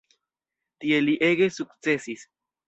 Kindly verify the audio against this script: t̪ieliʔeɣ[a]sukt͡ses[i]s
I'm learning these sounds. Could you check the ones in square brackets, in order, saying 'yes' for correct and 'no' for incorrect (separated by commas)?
no, yes